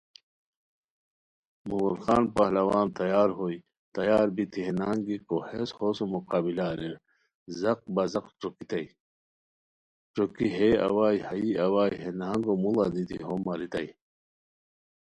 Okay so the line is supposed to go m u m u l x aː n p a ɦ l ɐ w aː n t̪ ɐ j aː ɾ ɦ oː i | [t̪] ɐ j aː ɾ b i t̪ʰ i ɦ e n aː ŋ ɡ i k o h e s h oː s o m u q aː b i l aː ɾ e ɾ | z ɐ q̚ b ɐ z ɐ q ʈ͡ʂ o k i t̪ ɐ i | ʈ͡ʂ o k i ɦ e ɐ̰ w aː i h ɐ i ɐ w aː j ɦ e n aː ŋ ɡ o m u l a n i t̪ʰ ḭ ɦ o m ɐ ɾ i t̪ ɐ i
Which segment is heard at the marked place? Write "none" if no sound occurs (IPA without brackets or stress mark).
t̪